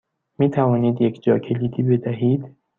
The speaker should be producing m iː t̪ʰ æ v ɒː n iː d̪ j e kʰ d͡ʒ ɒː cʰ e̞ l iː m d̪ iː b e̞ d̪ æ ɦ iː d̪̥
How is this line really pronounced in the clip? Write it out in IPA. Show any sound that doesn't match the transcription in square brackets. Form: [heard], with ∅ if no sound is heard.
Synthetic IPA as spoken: m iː t̪ʰ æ v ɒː n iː d̪ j e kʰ d͡ʒ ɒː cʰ e̞ l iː [∅] d̪ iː b e̞ d̪ æ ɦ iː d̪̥